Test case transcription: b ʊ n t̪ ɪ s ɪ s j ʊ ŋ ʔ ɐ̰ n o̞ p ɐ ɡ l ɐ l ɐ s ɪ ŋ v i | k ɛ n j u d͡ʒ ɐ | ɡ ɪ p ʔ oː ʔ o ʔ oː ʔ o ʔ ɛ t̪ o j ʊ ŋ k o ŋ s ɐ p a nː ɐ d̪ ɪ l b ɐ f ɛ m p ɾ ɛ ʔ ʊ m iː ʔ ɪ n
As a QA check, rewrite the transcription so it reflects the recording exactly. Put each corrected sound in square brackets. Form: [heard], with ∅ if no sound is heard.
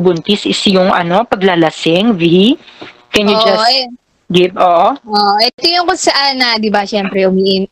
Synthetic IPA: b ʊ n t̪ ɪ s ɪ s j ʊ ŋ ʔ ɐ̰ n o̞ p ɐ ɡ l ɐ l ɐ s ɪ ŋ v i | k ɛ n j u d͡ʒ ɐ | ɡ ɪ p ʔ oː ʔ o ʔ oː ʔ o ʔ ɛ t̪ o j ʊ ŋ k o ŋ s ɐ [ʔ] a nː ɐ d̪ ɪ [∅] b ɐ [ʃ] ɛ m p ɾ ɛ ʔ ʊ m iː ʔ ɪ n